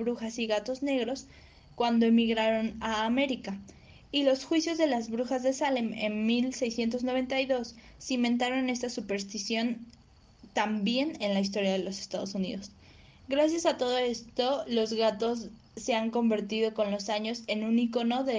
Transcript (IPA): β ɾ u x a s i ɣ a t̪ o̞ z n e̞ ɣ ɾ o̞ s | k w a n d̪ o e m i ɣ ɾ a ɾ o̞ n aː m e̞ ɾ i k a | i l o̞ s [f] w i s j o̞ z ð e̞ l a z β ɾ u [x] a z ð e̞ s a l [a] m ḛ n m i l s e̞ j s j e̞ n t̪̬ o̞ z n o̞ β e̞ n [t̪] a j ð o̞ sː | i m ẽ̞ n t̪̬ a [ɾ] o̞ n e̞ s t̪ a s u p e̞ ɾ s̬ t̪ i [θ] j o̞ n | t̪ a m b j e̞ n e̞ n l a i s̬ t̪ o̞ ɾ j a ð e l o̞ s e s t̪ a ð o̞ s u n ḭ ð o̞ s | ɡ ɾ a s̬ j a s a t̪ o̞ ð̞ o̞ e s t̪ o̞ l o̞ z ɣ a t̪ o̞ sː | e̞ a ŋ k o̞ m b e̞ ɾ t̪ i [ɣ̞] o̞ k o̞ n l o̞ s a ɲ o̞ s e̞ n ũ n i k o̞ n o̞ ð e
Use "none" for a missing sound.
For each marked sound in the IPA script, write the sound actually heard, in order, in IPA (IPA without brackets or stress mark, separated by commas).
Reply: x, x, e, t̪, ɾ, s, ð̞